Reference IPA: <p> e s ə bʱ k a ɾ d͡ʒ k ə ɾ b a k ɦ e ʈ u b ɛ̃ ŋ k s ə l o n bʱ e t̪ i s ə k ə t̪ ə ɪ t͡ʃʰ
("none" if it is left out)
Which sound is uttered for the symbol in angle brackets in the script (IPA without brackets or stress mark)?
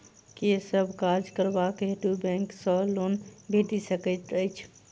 k